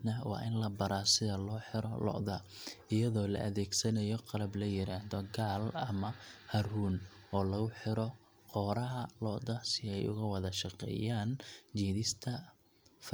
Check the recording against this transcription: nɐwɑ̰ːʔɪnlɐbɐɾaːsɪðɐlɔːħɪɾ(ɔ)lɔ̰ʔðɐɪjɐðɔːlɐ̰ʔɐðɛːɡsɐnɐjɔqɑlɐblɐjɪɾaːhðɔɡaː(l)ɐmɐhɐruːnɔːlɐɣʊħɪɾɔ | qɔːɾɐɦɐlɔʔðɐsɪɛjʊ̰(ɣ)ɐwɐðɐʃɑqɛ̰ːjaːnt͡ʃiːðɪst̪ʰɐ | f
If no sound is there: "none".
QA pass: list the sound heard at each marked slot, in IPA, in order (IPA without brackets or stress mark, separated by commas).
ɔ, l, ɣ